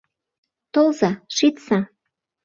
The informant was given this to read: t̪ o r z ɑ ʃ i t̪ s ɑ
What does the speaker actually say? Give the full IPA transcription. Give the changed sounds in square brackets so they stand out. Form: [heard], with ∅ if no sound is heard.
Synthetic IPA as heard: t̪ o [l] z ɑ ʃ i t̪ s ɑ